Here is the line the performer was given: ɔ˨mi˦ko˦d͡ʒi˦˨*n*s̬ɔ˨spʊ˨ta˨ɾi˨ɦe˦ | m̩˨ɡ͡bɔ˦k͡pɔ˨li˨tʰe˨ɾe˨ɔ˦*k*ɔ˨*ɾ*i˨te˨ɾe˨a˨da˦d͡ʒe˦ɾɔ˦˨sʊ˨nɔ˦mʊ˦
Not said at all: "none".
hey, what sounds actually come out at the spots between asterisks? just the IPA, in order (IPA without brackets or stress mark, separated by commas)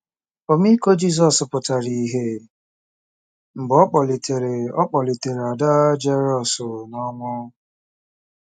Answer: none, k͡p, l